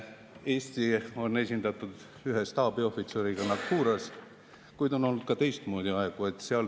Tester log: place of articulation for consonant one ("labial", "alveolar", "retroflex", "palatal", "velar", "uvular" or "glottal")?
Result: alveolar